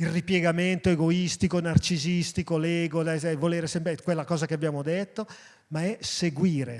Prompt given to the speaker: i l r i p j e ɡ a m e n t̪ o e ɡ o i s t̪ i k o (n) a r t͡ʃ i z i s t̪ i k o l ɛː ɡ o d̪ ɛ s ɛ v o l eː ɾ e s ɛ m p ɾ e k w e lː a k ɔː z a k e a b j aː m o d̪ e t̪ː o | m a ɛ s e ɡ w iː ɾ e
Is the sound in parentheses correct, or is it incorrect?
correct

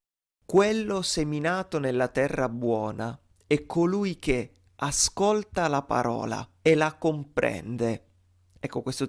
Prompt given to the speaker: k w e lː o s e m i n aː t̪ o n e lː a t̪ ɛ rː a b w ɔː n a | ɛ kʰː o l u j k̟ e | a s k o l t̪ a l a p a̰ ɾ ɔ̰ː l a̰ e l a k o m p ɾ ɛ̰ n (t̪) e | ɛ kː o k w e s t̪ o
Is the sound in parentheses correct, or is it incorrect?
incorrect: d̪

